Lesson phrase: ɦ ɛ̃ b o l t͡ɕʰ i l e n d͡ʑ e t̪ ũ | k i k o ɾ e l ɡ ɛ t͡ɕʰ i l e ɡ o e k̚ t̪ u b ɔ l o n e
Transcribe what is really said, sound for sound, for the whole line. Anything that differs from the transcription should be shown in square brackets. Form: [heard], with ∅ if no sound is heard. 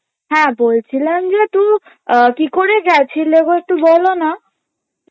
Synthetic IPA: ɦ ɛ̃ b o l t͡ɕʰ i l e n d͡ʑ e t̪ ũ | k i k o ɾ e [∅] ɡ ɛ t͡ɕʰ i l e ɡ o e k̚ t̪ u b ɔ l o n [a]

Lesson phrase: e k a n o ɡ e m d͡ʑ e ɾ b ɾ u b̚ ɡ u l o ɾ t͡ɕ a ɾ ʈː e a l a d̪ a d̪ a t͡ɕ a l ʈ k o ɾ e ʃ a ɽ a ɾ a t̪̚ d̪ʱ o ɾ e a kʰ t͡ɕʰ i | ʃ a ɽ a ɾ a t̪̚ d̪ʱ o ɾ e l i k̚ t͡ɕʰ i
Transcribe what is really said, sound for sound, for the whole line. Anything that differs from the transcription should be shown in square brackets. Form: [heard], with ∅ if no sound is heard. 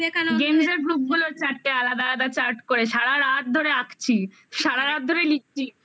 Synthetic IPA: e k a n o ɡ e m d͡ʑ e ɾ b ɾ u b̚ ɡ u l o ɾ t͡ɕ a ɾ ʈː e a l a d̪ a d̪ a t͡ɕ a [ɾ] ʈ k o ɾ e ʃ a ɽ a ɾ a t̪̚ d̪ʱ o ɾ e a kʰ t͡ɕʰ i | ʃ a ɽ a ɾ a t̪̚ d̪ʱ o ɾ e l i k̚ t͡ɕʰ i

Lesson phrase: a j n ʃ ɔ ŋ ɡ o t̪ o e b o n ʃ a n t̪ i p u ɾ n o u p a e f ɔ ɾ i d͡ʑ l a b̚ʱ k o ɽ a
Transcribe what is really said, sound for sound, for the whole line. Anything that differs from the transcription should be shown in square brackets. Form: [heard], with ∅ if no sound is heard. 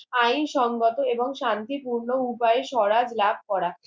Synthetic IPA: a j n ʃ ɔ ŋ ɡ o t̪ o e b o [ŋ] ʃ a n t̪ i p u ɾ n o u p a e [ʃ] ɔ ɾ [a] d͡ʑ l a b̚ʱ k [ɔ] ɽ a

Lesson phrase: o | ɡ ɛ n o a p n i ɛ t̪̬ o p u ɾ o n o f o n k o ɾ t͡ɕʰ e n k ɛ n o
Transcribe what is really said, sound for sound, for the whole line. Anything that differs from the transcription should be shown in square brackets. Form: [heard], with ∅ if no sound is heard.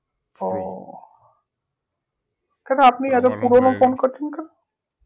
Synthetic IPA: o | [k] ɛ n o a p n i ɛ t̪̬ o p u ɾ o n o f o n k o ɾ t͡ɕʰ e n k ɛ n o

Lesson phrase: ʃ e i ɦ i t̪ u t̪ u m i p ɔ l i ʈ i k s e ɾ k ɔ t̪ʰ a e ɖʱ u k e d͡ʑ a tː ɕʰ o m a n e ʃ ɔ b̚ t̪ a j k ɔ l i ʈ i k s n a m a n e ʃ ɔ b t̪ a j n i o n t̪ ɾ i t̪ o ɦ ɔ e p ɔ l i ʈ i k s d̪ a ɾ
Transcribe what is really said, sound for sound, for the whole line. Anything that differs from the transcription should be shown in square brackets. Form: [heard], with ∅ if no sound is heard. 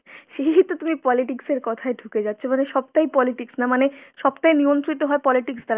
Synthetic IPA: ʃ e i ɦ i t̪ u t̪ u m i p ɔ l i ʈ i k s e ɾ k ɔ t̪ʰ a e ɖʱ u k e d͡ʑ a tː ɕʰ o m a n e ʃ ɔ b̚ t̪ a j [p] ɔ l i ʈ i k s n a m a n e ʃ ɔ b t̪ a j n i o n t̪ ɾ i t̪ o ɦ ɔ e p ɔ l i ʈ i k s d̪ a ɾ

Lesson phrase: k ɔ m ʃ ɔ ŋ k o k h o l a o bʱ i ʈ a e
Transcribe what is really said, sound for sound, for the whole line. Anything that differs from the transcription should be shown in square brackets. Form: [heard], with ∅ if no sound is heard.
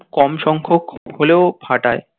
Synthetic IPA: k ɔ m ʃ ɔ ŋ [kʰ] o k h o l [e] o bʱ [a] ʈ a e

